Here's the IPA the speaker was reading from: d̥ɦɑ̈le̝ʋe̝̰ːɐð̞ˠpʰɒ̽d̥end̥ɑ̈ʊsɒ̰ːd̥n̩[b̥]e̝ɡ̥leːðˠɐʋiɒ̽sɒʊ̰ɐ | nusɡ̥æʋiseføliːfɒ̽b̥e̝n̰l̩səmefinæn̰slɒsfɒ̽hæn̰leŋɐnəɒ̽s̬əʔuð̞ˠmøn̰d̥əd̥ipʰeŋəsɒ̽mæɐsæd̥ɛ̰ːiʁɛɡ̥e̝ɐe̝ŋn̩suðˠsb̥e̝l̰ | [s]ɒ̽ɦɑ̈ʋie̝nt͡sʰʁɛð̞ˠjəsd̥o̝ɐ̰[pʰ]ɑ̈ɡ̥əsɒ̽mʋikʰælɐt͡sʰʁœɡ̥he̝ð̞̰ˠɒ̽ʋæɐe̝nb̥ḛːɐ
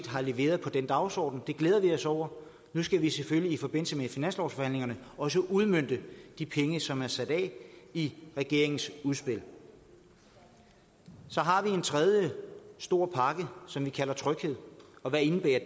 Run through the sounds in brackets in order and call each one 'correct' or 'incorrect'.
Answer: incorrect, correct, correct

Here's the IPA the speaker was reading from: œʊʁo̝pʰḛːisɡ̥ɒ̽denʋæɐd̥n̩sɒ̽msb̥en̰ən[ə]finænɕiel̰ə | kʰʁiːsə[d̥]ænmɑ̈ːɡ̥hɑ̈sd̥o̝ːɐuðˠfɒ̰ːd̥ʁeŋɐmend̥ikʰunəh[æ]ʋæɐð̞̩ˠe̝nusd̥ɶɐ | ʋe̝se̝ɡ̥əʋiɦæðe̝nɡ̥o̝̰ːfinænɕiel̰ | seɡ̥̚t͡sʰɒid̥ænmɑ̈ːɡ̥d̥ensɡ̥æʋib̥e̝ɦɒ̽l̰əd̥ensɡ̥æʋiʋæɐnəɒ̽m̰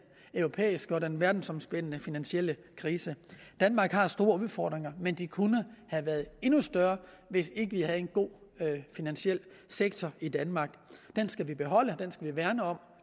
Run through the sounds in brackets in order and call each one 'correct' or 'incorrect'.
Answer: correct, correct, correct

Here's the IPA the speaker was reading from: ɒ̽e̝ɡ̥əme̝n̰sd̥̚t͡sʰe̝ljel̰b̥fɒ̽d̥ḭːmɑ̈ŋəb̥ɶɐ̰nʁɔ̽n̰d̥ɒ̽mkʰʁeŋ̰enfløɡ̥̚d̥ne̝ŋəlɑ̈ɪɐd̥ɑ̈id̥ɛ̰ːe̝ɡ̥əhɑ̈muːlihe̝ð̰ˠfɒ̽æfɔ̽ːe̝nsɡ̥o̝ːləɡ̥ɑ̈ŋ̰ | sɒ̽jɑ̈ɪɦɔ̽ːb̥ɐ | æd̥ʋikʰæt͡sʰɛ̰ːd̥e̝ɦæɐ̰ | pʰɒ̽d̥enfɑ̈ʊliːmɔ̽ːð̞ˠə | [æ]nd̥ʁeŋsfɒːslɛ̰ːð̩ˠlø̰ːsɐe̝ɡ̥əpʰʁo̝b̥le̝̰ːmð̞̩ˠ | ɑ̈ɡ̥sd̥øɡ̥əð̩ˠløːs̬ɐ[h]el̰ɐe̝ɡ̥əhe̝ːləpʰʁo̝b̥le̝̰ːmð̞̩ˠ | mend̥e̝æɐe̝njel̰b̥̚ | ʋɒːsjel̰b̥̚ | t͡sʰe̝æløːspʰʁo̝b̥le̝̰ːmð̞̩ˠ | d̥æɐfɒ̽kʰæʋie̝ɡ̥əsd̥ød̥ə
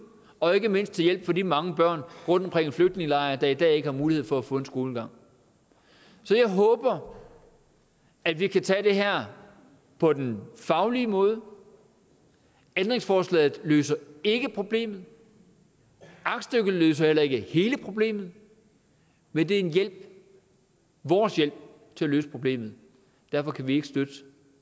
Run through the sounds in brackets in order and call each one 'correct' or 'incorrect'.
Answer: incorrect, correct

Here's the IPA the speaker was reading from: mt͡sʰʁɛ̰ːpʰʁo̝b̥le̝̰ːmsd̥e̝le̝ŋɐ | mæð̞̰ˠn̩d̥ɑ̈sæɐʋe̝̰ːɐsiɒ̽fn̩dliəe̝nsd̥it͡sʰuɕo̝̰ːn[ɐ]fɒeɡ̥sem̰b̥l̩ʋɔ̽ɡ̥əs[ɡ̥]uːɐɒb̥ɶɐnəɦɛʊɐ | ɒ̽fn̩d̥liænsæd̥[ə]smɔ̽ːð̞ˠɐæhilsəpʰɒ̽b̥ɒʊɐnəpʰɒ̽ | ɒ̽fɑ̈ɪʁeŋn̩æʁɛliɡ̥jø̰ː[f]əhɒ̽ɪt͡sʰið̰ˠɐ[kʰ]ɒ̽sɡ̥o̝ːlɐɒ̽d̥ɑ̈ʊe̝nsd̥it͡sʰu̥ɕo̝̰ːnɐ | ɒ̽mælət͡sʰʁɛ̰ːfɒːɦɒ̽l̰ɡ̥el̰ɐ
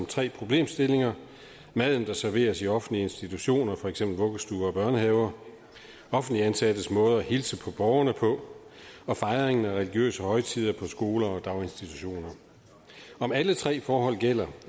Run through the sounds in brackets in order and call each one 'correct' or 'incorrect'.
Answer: correct, incorrect, correct, incorrect, incorrect

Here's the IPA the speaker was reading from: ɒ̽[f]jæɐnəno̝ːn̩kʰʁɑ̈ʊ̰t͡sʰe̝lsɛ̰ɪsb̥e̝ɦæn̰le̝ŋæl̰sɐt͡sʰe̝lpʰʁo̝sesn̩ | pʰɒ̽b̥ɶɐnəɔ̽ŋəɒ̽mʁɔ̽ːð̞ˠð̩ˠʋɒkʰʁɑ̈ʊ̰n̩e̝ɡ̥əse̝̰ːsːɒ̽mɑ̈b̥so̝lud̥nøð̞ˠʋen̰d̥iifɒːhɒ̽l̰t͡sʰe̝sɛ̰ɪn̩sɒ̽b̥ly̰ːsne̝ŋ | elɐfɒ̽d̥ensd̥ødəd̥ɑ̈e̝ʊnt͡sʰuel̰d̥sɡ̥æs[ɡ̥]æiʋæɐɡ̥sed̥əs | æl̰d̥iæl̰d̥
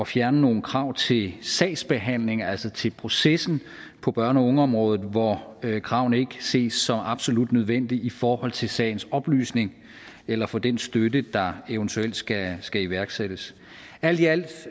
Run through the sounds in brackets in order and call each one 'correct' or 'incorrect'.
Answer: correct, correct

